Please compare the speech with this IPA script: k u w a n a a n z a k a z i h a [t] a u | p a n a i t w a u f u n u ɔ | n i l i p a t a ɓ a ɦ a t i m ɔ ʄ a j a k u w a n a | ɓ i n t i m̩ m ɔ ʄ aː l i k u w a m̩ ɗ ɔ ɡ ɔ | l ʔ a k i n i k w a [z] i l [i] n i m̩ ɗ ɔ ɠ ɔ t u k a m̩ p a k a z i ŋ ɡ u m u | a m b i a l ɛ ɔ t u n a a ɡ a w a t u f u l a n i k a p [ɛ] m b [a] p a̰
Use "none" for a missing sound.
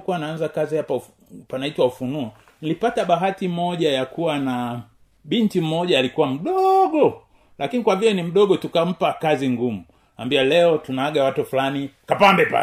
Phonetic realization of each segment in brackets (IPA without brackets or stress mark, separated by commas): p, v, ɛ, a, ɛ